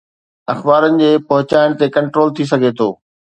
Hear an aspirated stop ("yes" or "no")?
yes